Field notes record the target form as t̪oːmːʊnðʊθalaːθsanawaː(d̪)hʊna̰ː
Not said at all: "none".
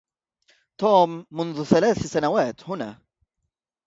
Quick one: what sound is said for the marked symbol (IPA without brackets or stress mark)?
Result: t̪